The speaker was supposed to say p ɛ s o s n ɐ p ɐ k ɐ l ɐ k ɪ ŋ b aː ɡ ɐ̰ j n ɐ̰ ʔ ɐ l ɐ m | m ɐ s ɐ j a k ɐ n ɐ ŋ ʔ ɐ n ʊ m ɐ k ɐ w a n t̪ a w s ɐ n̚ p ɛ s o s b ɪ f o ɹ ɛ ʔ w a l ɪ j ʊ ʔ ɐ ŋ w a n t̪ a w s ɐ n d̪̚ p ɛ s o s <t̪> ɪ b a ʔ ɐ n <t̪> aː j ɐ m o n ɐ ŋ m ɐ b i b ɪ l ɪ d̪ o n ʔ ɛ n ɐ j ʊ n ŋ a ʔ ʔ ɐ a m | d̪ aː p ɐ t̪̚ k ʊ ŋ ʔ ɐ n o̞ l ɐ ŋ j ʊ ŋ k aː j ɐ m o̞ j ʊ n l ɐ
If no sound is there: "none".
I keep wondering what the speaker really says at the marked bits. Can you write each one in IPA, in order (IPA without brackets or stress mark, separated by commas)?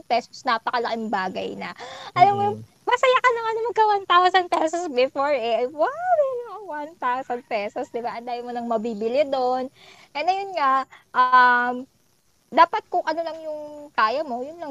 d̪, d̪